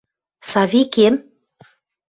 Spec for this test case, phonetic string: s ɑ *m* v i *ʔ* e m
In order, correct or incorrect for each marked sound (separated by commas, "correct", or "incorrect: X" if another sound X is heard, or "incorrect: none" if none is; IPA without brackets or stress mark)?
incorrect: none, incorrect: k